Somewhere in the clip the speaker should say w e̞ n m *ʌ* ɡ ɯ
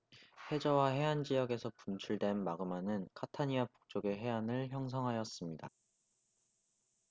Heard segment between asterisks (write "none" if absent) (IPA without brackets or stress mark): a